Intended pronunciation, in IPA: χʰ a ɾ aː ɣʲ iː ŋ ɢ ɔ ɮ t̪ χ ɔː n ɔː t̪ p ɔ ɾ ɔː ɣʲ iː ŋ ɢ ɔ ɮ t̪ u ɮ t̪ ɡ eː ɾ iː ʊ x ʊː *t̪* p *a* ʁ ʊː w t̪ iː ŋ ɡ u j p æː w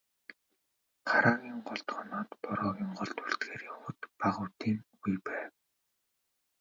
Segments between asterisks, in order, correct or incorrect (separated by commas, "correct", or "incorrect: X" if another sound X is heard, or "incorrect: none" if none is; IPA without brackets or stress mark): correct, correct